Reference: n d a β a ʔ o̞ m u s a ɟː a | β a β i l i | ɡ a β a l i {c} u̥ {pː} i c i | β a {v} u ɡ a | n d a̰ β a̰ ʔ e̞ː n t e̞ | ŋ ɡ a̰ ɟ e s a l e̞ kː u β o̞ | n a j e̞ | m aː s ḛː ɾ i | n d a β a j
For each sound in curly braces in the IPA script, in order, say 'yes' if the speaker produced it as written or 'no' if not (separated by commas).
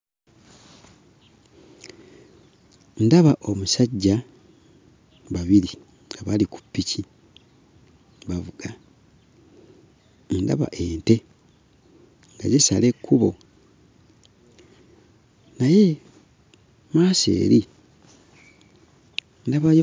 no, yes, yes